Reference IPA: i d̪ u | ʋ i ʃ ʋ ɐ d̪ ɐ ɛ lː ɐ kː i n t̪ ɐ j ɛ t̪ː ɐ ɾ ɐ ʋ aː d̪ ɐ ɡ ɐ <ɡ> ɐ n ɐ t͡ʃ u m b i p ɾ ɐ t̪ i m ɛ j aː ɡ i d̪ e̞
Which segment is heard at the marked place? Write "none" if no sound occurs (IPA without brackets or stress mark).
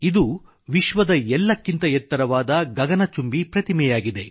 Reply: ɡ